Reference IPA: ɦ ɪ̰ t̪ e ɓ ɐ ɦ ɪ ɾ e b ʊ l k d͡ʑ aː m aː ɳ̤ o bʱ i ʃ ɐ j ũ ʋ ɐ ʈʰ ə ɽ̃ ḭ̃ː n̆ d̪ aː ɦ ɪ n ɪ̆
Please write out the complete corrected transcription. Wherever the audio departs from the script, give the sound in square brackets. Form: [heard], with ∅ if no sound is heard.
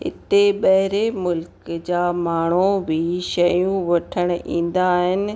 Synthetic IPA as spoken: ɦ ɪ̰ t̪ e ɓ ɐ ɦ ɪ ɾ e [m] ʊ l k d͡ʑ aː m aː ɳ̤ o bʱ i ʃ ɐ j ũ ʋ ɐ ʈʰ ə ɽ̃ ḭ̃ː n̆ d̪ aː ɦ ɪ n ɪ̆